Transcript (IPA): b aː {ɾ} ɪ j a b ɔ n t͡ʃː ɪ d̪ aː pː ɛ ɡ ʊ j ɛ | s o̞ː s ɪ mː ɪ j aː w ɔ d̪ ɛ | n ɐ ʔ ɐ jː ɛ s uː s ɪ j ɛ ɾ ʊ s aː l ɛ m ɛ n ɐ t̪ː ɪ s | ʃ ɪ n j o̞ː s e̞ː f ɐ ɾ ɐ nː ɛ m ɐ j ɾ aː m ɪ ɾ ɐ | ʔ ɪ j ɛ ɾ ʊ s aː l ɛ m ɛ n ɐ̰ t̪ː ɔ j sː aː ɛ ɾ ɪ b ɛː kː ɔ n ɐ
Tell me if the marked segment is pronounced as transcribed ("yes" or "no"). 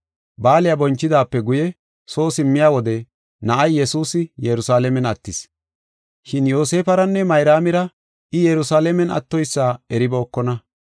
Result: no